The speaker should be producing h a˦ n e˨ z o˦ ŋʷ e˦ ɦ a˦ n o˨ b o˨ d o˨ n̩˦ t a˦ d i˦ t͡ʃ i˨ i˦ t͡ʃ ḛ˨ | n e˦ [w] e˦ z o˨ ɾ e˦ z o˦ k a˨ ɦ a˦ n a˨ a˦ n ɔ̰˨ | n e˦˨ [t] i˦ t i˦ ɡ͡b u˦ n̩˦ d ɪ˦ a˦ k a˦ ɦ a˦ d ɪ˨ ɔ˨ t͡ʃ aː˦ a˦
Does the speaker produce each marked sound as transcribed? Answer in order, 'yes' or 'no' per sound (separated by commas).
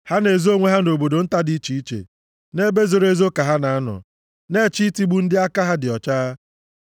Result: no, no